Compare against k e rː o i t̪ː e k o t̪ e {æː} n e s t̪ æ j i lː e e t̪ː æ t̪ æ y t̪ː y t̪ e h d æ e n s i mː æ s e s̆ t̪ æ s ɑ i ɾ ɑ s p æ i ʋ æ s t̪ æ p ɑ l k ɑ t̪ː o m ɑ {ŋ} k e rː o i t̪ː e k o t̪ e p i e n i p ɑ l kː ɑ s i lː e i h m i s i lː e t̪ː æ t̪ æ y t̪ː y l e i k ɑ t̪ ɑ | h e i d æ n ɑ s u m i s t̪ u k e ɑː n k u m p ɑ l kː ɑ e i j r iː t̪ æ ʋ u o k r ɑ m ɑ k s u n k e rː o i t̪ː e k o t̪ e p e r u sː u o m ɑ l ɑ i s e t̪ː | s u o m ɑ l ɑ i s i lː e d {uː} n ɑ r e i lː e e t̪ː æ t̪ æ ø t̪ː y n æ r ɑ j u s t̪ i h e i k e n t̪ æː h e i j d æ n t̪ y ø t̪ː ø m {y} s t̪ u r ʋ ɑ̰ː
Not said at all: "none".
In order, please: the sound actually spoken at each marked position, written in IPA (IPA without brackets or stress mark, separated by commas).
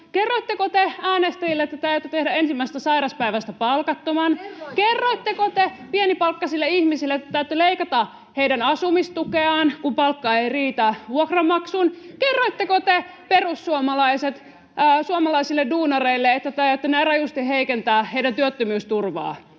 æː, n, uː, yː